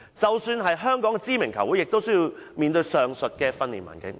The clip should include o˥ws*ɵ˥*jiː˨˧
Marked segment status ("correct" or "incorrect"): correct